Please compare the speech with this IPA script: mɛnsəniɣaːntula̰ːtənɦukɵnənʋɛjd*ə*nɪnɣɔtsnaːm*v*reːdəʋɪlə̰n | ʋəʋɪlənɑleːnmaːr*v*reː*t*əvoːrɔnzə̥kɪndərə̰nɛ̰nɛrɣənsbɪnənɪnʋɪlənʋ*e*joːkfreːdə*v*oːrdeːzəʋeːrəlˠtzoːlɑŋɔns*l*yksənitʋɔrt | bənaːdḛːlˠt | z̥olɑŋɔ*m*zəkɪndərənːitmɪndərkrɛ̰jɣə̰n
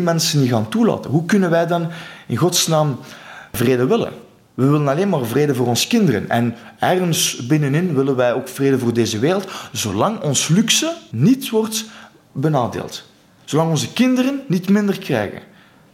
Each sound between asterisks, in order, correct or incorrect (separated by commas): incorrect, correct, correct, incorrect, incorrect, correct, correct, incorrect